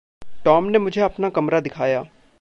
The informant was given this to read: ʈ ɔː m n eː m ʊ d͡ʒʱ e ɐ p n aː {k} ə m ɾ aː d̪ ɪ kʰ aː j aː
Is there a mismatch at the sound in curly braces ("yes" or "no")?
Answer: no